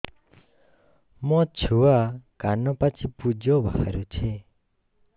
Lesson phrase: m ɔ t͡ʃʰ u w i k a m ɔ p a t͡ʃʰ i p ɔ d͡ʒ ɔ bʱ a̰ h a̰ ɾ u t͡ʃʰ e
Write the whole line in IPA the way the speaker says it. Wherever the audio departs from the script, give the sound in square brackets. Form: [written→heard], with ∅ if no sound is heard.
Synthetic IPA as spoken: m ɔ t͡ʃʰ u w [i→a] k a [m→n] ɔ p a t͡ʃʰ i p [ɔ→u] d͡ʒ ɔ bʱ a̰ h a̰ ɾ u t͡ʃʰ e

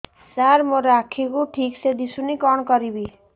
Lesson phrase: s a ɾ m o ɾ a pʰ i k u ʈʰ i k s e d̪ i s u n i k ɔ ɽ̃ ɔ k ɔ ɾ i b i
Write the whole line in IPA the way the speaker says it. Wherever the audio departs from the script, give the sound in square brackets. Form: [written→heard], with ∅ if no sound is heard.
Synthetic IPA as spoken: s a ɾ m o ɾ a [pʰ→kʰ] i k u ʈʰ i k s e d̪ i s u n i k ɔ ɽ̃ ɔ k ɔ ɾ i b i

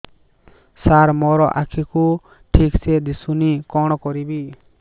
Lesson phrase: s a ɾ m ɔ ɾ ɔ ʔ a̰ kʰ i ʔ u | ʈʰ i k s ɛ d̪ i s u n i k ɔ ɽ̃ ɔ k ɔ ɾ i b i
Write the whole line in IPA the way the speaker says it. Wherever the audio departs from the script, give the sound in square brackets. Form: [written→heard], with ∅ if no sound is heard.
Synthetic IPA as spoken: s a ɾ m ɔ ɾ ɔ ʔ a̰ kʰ i [ʔ→k] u | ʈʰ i k s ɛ d̪ i s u n i k ɔ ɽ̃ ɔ k ɔ ɾ i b i

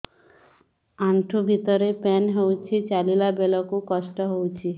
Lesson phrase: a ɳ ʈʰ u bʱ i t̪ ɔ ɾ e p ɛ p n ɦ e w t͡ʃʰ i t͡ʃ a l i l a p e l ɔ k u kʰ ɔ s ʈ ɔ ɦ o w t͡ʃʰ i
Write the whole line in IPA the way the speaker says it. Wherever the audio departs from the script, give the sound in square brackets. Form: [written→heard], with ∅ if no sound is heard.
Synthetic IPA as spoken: a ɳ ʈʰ u bʱ i t̪ ɔ ɾ e p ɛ [p→∅] n ɦ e w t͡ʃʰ i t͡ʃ a l i l a [p→b] e l ɔ k u [kʰ→k] ɔ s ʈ ɔ ɦ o w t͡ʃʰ i

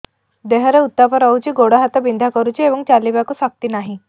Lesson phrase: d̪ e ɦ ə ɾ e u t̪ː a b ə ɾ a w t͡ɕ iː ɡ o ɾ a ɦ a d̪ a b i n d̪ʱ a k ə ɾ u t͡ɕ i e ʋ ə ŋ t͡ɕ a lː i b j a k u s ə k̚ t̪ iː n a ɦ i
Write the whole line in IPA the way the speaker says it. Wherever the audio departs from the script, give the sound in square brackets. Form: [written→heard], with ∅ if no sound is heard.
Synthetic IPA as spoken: d̪ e ɦ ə ɾ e u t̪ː a [b→p] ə ɾ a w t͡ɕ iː ɡ o [ɾ→ɽ] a ɦ a [d̪→t̪] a b i n d̪ʱ a k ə ɾ u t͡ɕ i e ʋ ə ŋ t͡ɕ a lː i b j a k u s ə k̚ t̪ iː n a ɦ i

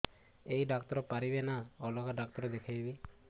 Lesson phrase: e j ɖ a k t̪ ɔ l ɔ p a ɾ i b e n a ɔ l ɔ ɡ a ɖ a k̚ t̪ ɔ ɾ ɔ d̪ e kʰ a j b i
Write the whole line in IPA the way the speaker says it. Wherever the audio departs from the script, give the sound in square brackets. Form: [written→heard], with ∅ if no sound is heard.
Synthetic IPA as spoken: e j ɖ a k t̪ ɔ [l→ɾ] ɔ p a ɾ i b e n a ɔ l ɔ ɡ a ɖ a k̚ t̪ ɔ ɾ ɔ d̪ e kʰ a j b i

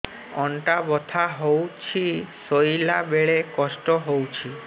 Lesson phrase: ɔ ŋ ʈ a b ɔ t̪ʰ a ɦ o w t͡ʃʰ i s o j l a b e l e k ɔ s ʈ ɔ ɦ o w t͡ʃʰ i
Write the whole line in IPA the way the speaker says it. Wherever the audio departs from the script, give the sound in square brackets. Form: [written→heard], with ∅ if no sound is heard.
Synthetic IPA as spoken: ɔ [ŋ→ɳ] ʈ a b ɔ t̪ʰ a ɦ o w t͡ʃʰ i s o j l a b e [l→ɭ] e k ɔ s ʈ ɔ ɦ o w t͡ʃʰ i

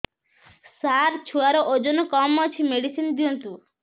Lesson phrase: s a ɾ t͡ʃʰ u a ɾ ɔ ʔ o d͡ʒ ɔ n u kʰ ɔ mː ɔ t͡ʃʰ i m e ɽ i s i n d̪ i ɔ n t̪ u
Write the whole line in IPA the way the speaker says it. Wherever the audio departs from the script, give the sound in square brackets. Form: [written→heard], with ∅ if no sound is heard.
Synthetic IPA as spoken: s a ɾ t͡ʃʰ u a ɾ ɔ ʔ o d͡ʒ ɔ n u [kʰ→k] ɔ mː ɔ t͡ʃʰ i m e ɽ i s i n d̪ i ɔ n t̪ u

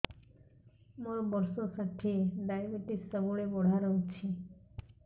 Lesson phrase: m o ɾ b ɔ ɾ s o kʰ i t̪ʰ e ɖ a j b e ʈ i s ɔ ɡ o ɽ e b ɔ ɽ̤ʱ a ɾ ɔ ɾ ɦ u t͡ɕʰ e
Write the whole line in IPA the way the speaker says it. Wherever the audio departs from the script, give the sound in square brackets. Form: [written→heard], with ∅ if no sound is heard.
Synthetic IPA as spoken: m o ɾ b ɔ ɾ s o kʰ [i→a] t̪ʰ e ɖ a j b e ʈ i s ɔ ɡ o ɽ e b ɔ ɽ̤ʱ a ɾ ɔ [ɾ→∅] ɦ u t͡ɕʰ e

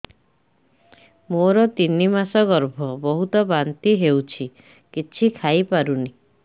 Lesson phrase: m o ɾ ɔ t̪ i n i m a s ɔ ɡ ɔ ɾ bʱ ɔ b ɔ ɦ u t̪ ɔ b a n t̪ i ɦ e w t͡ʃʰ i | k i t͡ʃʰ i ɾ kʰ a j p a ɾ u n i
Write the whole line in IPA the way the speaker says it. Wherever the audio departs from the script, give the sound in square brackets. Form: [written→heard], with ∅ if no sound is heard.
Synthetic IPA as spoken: m o ɾ ɔ t̪ i n i m a s ɔ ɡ ɔ ɾ bʱ ɔ b ɔ ɦ u t̪ ɔ b a n t̪ i ɦ e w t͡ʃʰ i | k i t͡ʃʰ i [ɾ→∅] kʰ a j p a ɾ u n i

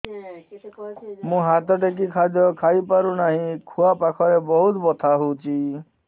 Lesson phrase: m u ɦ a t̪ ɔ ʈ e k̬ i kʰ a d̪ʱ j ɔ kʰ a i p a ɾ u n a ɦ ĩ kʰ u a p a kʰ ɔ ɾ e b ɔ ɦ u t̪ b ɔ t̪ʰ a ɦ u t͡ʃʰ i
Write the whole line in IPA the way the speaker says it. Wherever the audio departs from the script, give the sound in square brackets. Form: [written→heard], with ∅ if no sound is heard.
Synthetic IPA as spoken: m [u→ũ] ɦ a t̪ ɔ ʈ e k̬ i kʰ a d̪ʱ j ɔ kʰ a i p a ɾ u n a ɦ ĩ kʰ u a p a kʰ ɔ ɾ e b ɔ ɦ u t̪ b ɔ t̪ʰ a ɦ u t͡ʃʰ i

